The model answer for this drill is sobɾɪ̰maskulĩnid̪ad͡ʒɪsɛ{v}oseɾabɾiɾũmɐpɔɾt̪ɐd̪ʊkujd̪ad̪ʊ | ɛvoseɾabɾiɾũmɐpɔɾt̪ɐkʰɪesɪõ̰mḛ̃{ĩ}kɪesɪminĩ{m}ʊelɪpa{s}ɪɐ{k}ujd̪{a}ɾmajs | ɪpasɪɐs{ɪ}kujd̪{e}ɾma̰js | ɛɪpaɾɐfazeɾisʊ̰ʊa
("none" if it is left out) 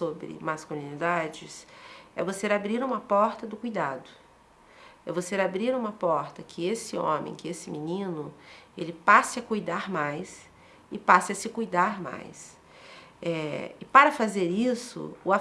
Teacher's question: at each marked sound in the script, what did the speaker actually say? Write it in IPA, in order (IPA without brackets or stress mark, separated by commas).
v, j̃, n, s, k, a, ɪ, a